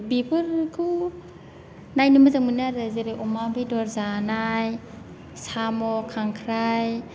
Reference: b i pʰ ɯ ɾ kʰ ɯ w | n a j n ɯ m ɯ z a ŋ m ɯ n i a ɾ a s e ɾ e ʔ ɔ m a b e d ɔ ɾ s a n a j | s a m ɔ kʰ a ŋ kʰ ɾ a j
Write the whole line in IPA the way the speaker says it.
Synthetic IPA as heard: b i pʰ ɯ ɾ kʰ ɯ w | n a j n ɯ m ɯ z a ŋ m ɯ n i a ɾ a z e ɾ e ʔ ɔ m a b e d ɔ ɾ z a n a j | s a m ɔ kʰ a ŋ kʰ ɾ a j